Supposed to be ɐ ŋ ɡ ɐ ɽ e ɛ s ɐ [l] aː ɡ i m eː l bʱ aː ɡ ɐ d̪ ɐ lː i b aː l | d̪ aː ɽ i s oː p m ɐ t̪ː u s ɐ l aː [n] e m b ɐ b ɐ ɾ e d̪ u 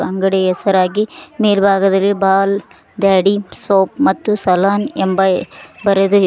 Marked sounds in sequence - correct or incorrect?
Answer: incorrect: ɾ, correct

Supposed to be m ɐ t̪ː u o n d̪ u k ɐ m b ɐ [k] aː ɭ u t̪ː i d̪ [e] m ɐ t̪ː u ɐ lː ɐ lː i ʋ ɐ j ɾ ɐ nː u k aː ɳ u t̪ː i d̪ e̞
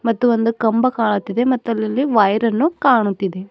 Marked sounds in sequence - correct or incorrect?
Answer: correct, correct

